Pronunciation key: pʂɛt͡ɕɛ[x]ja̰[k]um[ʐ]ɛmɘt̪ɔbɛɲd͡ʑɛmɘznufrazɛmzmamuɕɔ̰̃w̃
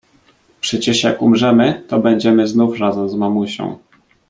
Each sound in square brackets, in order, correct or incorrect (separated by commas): incorrect, correct, correct